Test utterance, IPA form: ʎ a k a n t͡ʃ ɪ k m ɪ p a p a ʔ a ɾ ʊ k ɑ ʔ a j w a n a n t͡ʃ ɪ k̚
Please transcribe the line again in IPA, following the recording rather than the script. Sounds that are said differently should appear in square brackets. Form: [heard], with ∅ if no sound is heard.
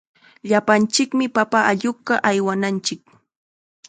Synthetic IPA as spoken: ʎ a [p] a n t͡ʃ ɪ k m ɪ p a p a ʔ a [ʎ] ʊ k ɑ ʔ a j w a n a n t͡ʃ ɪ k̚